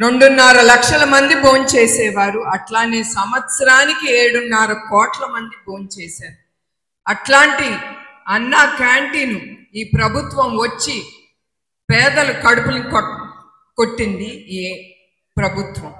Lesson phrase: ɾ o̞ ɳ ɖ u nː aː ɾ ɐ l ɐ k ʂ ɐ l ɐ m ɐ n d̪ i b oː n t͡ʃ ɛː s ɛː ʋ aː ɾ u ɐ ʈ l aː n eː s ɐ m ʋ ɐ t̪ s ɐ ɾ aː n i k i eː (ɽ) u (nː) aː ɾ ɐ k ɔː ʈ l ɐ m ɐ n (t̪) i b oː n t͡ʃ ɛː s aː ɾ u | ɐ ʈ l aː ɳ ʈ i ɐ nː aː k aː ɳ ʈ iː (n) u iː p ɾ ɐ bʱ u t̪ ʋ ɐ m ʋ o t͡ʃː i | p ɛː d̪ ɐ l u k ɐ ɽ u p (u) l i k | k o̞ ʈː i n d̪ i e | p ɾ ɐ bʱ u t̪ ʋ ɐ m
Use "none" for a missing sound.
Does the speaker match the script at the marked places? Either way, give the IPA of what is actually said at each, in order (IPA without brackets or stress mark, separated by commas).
ɽ, nː, d̪, n, u